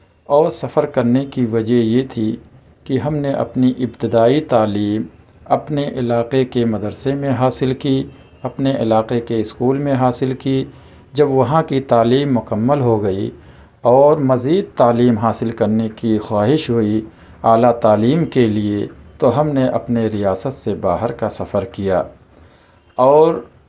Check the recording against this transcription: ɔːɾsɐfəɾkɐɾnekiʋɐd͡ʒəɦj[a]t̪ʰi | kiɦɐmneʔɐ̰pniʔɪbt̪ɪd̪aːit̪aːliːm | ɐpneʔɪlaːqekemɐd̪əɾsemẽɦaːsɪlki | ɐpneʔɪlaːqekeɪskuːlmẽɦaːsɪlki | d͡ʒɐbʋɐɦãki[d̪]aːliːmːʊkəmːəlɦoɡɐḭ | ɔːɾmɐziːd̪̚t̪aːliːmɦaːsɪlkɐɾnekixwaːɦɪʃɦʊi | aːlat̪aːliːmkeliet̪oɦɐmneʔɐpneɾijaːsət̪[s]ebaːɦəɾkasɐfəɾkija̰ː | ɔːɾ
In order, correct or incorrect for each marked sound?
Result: incorrect, incorrect, correct

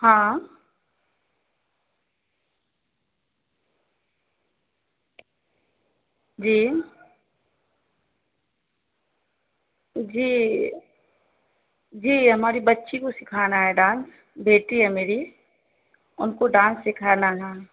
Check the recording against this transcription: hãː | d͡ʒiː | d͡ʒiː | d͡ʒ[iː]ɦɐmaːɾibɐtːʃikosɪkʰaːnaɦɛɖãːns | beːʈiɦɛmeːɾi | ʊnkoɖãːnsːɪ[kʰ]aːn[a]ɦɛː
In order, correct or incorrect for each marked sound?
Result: correct, correct, correct

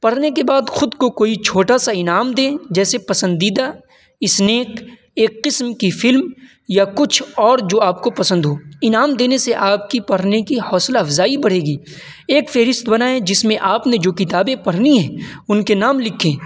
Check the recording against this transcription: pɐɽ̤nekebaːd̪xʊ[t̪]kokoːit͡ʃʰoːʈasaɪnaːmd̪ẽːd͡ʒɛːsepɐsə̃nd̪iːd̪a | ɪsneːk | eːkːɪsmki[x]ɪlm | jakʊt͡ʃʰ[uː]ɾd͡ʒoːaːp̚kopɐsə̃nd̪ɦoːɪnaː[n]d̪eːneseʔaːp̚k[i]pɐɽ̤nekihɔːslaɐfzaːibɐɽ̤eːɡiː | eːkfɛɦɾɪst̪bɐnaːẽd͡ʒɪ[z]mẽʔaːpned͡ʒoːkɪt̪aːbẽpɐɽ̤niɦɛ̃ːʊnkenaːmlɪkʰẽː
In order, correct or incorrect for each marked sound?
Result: incorrect, incorrect, incorrect, incorrect, correct, incorrect

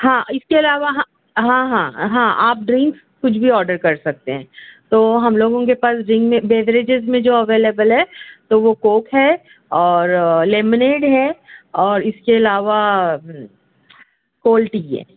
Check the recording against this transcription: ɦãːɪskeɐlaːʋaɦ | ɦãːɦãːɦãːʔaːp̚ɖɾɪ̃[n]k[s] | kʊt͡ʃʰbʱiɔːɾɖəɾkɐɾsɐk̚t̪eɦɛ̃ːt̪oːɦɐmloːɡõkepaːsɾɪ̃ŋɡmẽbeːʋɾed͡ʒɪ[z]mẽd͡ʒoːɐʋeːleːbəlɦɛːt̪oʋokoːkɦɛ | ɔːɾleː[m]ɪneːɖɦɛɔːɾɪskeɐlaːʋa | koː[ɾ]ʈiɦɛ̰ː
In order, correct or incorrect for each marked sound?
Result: incorrect, correct, correct, correct, incorrect

